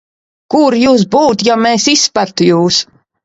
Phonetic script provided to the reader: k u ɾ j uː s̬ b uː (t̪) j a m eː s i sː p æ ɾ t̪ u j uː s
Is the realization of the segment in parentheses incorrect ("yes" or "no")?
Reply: no